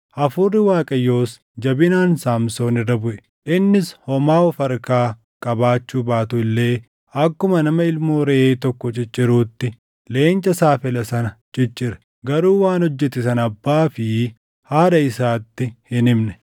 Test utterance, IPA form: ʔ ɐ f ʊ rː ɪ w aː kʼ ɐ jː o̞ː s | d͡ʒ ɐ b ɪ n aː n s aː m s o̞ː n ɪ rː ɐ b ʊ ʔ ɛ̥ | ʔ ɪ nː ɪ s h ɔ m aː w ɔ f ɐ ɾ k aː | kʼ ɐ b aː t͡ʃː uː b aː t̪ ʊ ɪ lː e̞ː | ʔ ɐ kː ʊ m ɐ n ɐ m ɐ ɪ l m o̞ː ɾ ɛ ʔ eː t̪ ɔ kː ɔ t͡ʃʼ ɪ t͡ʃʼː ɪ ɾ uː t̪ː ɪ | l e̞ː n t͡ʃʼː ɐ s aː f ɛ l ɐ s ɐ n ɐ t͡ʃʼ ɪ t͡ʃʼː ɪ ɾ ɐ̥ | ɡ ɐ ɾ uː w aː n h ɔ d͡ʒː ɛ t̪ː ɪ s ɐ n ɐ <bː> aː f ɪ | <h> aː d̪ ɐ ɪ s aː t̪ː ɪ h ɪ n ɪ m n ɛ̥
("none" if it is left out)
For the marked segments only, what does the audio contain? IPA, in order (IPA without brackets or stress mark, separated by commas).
bː, h